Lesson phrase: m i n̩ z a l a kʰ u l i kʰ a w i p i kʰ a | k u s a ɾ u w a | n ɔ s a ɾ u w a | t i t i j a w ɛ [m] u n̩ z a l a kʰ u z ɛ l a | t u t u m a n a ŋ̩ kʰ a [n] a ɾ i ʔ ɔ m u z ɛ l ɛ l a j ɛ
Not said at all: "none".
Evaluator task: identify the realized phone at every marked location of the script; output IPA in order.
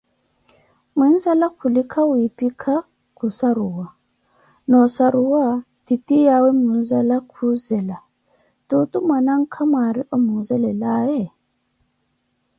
m, m

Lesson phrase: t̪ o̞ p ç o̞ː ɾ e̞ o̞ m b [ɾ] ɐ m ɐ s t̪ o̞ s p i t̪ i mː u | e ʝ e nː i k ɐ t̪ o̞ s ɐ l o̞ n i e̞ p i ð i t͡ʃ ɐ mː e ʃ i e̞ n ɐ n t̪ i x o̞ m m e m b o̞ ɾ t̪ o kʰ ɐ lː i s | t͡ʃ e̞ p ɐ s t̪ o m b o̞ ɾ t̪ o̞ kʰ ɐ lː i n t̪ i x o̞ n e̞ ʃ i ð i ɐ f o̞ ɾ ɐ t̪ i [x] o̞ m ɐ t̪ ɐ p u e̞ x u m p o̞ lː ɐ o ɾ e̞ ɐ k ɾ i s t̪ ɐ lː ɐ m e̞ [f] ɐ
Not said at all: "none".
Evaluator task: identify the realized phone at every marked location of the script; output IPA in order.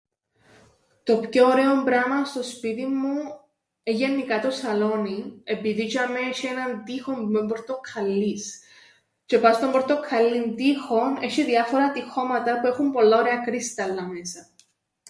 ɾ, x, s

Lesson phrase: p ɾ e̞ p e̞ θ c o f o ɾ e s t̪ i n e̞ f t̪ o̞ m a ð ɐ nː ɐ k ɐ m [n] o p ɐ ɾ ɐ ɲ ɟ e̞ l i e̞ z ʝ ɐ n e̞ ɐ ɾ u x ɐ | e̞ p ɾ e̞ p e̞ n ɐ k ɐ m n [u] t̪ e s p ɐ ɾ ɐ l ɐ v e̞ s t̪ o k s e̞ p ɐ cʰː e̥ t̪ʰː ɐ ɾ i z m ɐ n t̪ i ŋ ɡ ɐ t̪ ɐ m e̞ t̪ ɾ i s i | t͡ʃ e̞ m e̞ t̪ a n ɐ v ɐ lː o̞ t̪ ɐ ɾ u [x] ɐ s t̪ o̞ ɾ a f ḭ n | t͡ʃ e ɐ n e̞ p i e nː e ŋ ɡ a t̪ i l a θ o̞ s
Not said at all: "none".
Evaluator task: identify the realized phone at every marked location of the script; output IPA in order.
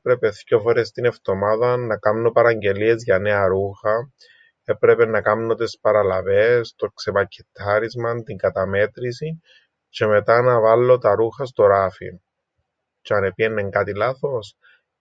n, o, x

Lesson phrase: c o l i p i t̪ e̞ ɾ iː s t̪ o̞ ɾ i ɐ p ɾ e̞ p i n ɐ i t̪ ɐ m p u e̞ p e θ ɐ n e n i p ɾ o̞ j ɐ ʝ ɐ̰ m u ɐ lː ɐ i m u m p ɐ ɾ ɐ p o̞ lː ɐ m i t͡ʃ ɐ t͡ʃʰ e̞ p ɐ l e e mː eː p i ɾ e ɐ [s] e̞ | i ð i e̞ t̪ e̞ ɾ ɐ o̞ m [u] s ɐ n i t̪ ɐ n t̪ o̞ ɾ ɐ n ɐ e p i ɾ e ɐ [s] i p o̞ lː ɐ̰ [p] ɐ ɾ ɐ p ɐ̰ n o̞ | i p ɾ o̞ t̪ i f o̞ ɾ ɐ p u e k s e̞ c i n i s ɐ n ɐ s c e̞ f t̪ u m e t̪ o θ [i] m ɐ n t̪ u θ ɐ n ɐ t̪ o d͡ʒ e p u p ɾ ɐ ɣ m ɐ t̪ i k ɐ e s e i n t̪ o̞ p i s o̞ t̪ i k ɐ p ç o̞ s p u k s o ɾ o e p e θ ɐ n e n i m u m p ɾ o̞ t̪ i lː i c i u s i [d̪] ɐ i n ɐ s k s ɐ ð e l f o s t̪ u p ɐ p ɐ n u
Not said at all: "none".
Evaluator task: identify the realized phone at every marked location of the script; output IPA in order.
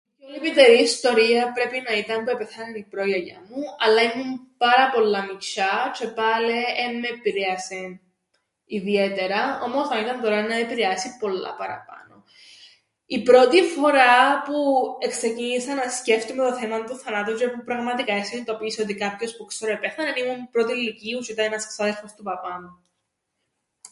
s, o, s, p, e, t̪

